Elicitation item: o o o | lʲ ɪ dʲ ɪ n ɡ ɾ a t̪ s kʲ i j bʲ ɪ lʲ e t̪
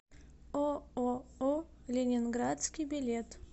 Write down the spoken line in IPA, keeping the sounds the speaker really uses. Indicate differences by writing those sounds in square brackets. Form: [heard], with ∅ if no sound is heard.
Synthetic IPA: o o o | lʲ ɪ [nʲ] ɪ n ɡ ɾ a t̪ s kʲ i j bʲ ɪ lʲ e t̪